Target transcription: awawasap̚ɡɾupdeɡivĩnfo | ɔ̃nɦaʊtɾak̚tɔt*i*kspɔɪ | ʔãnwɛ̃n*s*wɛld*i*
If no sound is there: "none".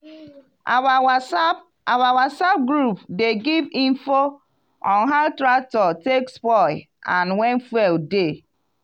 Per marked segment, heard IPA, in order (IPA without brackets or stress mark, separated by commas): e, f, e